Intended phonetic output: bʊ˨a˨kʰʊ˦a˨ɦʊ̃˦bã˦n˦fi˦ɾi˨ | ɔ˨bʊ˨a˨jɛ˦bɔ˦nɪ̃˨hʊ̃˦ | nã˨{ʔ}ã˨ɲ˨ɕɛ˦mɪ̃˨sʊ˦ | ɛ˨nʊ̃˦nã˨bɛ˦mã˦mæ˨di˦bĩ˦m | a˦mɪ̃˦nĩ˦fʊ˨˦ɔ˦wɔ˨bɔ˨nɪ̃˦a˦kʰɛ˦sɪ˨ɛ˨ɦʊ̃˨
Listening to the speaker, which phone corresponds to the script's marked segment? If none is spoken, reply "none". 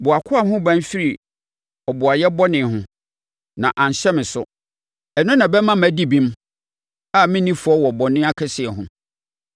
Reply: ʔ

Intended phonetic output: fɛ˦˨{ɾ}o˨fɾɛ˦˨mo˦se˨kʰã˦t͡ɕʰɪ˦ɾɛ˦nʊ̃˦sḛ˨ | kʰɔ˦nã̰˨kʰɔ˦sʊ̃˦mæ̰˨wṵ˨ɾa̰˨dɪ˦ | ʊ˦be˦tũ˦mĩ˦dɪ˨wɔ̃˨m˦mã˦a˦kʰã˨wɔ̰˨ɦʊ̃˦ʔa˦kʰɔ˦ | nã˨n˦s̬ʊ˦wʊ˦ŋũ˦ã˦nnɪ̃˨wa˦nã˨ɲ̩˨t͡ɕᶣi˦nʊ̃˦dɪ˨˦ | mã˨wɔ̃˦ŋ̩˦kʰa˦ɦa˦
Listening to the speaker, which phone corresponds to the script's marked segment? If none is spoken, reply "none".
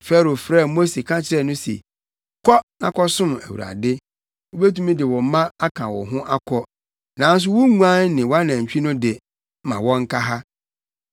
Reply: ɾ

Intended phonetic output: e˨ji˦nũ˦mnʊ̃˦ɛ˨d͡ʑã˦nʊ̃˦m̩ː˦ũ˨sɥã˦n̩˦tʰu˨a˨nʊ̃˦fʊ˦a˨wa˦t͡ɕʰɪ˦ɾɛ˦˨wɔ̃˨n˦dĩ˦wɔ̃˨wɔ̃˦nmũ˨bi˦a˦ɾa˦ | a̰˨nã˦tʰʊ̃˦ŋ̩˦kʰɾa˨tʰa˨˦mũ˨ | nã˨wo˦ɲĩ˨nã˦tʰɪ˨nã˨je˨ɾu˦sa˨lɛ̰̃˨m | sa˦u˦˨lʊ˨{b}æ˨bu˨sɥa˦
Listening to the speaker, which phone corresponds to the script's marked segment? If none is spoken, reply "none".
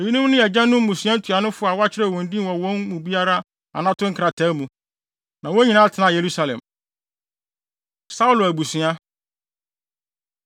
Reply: none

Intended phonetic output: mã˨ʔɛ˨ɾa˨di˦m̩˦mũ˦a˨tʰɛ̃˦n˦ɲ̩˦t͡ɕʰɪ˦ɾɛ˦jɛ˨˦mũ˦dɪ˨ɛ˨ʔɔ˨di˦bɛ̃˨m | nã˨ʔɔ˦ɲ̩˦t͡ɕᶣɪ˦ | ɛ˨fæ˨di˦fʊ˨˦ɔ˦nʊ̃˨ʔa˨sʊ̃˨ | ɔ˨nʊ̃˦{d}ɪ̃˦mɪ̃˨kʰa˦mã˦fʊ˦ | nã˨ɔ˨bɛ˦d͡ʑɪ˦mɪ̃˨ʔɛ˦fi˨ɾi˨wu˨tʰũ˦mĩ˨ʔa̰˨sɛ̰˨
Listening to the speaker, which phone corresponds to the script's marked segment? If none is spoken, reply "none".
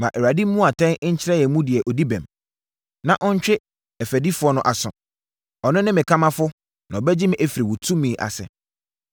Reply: n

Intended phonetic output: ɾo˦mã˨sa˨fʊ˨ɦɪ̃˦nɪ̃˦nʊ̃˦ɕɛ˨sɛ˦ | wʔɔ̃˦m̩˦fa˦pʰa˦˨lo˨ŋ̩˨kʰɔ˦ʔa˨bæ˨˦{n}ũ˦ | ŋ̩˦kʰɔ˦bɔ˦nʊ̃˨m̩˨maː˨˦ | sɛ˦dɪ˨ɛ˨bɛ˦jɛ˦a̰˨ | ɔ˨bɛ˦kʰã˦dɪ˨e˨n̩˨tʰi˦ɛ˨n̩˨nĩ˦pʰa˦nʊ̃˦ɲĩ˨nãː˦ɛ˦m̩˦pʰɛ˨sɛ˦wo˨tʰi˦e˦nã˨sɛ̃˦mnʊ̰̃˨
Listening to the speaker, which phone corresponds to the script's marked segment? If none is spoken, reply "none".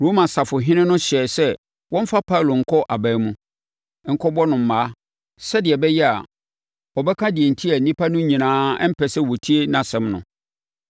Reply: m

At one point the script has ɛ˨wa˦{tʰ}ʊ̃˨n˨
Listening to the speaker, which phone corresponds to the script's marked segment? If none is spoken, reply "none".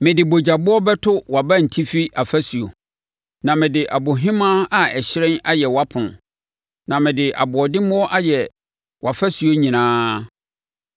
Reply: pʰ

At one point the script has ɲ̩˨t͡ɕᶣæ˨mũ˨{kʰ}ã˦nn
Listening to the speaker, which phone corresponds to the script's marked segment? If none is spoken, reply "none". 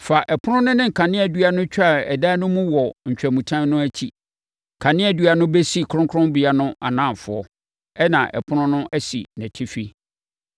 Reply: tʰ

